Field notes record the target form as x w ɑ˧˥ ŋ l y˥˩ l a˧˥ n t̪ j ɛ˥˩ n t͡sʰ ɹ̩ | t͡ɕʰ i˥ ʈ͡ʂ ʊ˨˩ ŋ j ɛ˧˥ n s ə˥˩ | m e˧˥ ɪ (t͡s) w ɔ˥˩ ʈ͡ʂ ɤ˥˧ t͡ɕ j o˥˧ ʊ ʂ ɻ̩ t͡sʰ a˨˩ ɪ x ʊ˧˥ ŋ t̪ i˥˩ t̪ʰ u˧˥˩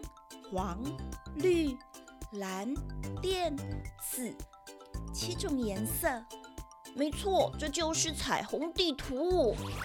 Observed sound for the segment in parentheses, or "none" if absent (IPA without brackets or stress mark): t͡sʰ